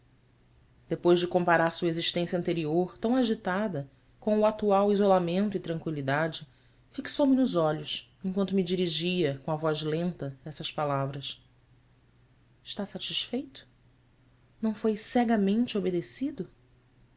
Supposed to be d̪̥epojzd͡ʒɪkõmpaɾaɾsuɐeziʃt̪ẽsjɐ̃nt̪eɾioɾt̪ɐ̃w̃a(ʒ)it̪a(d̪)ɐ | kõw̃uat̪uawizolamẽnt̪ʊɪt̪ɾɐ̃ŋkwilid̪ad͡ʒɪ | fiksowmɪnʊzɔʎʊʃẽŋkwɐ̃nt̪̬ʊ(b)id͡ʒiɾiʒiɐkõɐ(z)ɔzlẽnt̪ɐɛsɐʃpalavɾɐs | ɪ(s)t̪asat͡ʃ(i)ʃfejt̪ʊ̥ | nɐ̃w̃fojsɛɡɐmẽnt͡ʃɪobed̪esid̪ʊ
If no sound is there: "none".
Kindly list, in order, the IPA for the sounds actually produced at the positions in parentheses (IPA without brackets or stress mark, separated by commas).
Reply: ʒ, d̪, m, v, ʃ, i